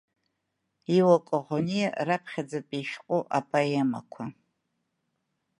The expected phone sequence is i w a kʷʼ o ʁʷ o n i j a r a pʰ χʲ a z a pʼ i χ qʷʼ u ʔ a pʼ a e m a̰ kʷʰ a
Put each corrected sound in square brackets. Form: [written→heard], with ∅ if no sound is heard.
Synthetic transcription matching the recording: i w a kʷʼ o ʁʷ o n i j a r a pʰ χʲ a [z→d͡z] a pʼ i [χ→ʃ] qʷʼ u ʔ a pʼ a e m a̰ kʷʰ a